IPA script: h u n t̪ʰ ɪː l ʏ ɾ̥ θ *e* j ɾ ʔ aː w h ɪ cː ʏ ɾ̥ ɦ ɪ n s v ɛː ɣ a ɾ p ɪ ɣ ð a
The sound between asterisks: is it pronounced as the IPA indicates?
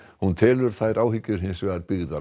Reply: no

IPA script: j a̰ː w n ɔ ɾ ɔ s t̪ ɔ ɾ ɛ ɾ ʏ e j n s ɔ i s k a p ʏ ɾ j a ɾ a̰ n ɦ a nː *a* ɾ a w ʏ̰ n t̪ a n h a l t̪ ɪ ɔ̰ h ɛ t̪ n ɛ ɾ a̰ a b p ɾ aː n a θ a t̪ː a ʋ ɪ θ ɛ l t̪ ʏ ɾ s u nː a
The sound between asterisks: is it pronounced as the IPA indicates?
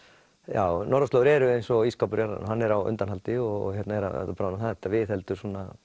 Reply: no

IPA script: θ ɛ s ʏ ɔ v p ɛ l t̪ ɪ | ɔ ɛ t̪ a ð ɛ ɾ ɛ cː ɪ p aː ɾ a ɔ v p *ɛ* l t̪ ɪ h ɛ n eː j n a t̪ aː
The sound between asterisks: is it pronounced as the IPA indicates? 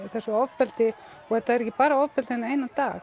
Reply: yes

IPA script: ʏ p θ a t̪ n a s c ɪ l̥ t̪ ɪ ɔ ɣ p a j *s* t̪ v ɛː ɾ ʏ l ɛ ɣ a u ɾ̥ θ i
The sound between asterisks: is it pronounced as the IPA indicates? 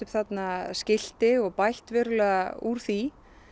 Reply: no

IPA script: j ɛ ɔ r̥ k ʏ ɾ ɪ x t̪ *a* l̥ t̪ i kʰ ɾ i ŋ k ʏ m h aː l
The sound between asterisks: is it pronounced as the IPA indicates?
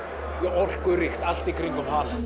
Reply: yes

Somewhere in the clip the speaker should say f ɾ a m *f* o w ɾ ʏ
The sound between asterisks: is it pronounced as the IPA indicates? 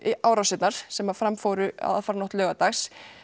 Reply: yes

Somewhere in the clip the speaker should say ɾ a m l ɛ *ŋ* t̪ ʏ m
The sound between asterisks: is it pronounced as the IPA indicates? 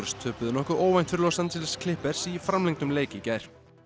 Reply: yes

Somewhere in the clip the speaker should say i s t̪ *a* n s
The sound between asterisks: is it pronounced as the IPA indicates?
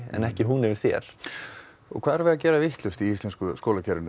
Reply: no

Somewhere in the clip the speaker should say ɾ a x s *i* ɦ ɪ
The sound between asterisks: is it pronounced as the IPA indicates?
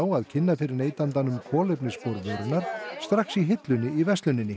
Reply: yes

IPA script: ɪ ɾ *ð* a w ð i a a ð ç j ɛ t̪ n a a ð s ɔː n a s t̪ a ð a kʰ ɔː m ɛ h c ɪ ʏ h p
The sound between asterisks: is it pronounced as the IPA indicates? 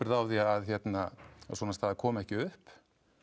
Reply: yes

